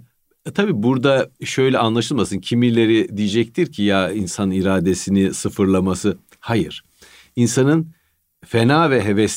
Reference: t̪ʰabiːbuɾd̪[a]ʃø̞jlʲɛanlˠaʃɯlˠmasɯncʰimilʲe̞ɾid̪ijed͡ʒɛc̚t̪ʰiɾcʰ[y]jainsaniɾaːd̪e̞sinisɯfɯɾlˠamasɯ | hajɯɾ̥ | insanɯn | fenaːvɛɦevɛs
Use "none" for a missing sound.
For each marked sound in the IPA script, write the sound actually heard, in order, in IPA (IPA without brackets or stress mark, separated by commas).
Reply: a, i